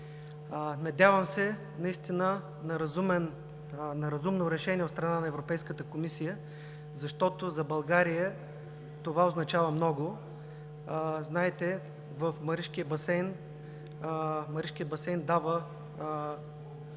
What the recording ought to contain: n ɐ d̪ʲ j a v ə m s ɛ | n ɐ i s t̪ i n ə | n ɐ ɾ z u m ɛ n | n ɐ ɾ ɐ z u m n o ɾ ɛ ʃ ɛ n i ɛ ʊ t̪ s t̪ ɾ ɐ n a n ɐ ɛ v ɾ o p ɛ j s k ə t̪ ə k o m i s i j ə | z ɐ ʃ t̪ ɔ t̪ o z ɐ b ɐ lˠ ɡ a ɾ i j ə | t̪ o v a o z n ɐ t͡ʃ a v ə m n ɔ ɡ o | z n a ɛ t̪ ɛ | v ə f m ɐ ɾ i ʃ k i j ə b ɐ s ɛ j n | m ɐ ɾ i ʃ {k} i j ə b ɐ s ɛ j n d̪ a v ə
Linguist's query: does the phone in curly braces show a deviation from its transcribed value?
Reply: no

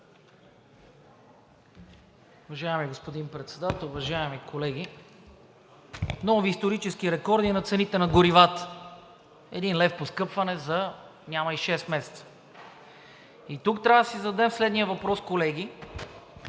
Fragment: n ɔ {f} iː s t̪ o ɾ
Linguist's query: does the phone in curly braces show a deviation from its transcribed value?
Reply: yes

